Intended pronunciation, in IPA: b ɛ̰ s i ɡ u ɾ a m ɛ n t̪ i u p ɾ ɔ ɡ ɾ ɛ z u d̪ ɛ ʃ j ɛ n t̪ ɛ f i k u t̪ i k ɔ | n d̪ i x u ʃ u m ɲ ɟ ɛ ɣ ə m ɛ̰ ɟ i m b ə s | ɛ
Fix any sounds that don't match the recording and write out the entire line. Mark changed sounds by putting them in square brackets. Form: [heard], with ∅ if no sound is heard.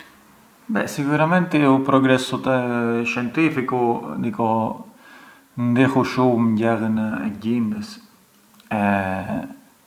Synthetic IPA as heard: b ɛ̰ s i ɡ u ɾ a m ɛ n t̪ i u p ɾ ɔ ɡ ɾ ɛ [s] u [t̪] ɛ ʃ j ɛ n t̪ [i] f i k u [d̪] i k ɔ | n d̪ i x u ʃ u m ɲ ɟ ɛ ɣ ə [n] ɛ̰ ɟ i m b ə s | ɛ